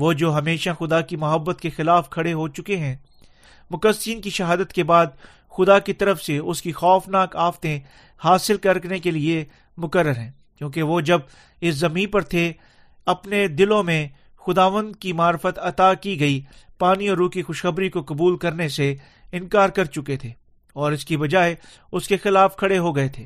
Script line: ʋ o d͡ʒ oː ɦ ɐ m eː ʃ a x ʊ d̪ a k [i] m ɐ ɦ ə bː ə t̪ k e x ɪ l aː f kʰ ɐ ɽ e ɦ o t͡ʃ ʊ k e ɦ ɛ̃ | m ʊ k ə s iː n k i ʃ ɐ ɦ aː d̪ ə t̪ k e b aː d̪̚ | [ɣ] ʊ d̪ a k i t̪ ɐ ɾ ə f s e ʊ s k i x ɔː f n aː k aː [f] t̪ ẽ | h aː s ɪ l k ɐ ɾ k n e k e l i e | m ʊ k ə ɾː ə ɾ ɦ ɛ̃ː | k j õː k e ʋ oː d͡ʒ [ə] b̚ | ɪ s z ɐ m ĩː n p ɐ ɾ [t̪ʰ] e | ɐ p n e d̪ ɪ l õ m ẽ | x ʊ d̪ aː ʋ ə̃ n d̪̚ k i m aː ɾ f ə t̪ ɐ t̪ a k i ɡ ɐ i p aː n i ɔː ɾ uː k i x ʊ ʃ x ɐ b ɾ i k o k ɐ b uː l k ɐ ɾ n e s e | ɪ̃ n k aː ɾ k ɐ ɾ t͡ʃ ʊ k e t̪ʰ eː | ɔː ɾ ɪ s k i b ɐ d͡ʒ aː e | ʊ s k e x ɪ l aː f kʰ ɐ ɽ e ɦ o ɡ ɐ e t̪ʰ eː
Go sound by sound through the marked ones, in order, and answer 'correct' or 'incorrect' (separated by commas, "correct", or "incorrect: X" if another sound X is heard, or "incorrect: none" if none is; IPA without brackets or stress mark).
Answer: correct, incorrect: x, correct, incorrect: ɐ, correct